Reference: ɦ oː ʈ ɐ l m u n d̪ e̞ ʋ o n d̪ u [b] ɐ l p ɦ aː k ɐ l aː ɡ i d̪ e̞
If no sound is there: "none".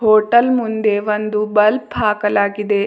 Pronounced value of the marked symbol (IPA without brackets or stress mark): b